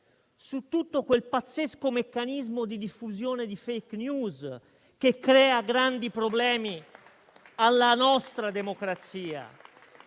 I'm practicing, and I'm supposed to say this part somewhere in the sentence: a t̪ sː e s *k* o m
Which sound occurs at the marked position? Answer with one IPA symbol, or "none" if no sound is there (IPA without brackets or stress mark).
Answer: k